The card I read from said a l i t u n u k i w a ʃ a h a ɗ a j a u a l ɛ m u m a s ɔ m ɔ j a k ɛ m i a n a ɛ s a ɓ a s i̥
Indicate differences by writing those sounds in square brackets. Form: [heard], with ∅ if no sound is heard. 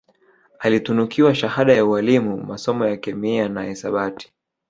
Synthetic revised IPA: a l i t u n u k i w a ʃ a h a ɗ a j a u a l [i] m u m a s ɔ m ɔ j a k ɛ m i a n a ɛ s a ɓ a [t] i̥